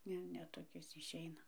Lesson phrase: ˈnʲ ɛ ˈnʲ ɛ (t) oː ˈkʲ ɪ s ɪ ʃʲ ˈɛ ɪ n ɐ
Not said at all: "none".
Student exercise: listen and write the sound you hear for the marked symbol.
t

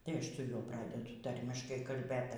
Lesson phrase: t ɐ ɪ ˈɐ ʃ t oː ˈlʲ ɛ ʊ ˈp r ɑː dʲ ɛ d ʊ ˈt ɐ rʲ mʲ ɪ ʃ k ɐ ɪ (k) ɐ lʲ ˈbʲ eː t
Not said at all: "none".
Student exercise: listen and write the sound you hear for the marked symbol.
k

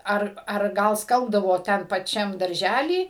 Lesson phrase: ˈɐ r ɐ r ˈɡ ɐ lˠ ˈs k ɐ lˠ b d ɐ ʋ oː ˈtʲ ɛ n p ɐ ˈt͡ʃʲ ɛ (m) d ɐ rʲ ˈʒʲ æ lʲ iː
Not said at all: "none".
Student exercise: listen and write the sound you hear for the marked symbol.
m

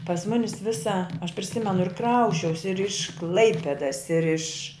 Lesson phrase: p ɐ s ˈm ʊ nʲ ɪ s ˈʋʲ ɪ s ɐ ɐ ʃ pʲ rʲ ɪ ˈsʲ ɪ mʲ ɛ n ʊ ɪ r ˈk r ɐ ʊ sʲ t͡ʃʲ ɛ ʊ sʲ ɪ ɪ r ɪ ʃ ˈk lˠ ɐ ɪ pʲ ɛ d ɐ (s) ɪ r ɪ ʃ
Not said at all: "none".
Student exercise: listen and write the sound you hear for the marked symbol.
s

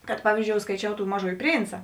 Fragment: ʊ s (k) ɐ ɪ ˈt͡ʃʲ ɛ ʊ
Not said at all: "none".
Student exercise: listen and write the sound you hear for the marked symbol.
k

